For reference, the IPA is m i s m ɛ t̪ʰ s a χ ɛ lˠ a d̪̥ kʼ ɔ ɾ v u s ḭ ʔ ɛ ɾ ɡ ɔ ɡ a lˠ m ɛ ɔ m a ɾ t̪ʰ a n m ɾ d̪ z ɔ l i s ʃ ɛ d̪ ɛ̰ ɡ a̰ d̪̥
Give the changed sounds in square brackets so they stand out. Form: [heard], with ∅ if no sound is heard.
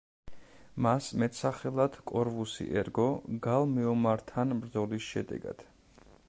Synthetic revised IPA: m [a] s m ɛ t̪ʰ s a χ ɛ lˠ a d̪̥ kʼ ɔ ɾ v u s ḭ ʔ ɛ ɾ ɡ ɔ ɡ a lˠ m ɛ ɔ m a ɾ t̪ʰ a n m ɾ d̪ z ɔ l i s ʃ ɛ d̪ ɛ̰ ɡ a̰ d̪̥